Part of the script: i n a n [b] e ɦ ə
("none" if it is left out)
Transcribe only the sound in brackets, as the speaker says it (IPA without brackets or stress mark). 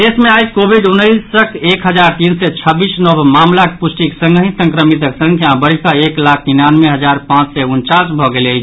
m